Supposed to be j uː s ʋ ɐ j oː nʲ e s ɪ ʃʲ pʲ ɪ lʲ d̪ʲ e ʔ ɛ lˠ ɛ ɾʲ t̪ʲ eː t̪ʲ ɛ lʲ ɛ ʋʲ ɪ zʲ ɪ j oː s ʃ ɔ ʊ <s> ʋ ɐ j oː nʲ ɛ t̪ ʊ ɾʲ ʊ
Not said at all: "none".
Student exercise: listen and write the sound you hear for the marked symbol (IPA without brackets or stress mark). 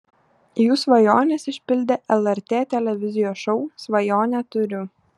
s